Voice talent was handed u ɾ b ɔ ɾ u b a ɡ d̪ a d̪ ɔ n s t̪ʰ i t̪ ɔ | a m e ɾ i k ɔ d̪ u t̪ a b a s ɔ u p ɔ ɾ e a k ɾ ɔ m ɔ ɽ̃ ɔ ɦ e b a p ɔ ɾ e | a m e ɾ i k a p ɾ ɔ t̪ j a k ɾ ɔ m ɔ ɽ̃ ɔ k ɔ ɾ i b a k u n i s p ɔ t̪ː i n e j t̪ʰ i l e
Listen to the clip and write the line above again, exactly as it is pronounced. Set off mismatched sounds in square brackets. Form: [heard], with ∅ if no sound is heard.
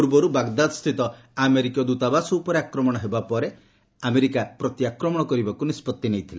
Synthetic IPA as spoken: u ɾ b ɔ ɾ u b a ɡ d̪ a d̪ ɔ [∅] s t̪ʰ i t̪ ɔ | a m e ɾ i k ɔ d̪ u t̪ a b a s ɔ u p ɔ ɾ e a k ɾ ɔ m ɔ ɽ̃ ɔ ɦ e b a p ɔ ɾ e | a m e ɾ i k a p ɾ ɔ t̪ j a k ɾ ɔ m ɔ ɽ̃ ɔ k ɔ ɾ i b a k u n i s p ɔ t̪ː i n e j t̪ʰ i l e